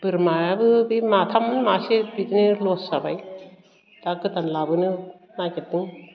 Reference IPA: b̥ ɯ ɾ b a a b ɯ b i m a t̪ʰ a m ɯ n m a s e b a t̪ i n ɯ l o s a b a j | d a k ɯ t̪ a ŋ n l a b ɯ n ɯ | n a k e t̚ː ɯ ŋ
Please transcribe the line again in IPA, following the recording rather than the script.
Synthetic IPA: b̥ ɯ ɾ m a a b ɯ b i m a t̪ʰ a m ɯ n m a s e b i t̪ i n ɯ l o s a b a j | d a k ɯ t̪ a n l a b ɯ n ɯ | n a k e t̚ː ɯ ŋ

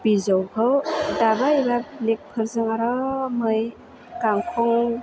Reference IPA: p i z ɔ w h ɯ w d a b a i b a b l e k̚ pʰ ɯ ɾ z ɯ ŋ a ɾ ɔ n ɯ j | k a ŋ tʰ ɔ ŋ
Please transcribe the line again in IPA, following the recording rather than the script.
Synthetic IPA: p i z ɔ w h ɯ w d a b a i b a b l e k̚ pʰ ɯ ɾ z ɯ ŋ a ɾ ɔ m ɯ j | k a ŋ kʰ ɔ ŋ

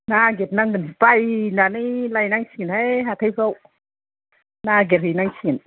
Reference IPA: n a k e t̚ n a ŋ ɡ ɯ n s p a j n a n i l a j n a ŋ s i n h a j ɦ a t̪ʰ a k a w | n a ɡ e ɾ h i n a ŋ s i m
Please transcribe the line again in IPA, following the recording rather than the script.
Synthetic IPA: n a ɡ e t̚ n a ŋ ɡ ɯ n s p a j n a n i l a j n a ŋ s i n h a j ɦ a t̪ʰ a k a w | n a ɡ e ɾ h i n a ŋ s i n

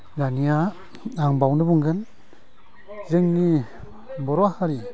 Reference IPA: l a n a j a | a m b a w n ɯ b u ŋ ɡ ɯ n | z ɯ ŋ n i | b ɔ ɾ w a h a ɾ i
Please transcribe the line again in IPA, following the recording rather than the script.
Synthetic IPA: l a n i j a | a ŋ b a w n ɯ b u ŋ ɡ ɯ n | z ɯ ŋ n i | b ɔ ɾ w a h a ɾ i

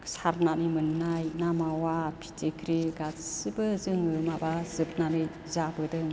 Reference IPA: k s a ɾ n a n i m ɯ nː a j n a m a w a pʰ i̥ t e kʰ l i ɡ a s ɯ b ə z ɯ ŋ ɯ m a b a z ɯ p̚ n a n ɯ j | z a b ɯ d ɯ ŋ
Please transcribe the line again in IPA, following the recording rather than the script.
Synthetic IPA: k s a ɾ n a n i m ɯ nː a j n a m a w a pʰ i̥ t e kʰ ɾ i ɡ a s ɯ b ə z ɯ ŋ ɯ m a b a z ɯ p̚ n a n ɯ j | z a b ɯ d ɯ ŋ

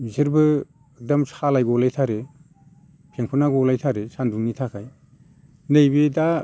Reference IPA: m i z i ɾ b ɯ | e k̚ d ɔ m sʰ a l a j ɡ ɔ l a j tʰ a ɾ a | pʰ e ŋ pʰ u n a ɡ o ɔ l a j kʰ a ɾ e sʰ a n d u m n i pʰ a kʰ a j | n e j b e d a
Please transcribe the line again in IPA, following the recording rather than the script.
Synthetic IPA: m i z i ɾ b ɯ | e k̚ d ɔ m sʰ a l a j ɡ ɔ l a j tʰ a ɾ e | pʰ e ŋ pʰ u n a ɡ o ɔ l a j tʰ a ɾ e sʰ a n d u ŋ n i tʰ a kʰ a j | n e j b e d a

